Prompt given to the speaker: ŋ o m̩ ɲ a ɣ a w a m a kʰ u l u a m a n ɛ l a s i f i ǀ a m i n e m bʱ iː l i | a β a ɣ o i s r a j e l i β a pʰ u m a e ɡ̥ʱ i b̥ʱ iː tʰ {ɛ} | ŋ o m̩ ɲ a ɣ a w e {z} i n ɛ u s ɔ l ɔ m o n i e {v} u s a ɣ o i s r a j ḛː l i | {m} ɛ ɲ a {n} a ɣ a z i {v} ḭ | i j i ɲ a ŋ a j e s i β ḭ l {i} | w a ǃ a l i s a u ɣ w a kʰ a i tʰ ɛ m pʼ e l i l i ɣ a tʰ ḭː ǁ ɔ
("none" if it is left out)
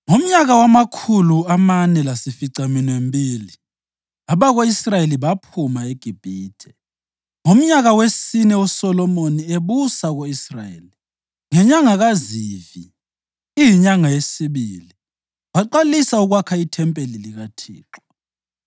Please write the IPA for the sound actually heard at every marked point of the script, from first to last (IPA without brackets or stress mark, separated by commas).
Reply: ɛ, s, β, ŋ, ŋ, v, i